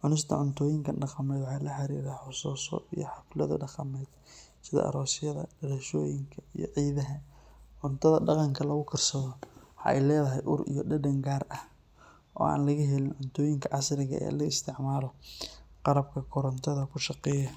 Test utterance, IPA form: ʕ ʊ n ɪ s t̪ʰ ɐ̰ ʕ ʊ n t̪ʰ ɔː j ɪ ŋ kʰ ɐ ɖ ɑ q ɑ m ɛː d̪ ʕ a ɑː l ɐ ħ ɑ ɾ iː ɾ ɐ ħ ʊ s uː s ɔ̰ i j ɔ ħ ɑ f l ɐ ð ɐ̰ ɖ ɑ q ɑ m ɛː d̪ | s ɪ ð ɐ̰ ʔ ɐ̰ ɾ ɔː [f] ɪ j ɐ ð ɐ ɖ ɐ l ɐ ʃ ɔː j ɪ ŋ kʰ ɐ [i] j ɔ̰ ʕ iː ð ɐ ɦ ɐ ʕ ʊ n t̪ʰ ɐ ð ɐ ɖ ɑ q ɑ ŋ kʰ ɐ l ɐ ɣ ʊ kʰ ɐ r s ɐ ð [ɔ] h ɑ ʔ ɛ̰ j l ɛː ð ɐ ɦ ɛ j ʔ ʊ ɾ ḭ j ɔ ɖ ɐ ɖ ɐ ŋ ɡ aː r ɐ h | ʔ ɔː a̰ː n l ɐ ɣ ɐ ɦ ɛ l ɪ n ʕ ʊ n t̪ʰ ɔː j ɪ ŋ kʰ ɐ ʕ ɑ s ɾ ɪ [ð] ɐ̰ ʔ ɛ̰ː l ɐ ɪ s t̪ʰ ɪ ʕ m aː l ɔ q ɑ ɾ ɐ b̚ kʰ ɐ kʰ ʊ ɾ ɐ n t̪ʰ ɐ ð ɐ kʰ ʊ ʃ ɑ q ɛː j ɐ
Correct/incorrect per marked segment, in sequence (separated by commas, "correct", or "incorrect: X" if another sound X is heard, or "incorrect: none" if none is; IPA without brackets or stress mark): incorrect: s, correct, correct, incorrect: ɣ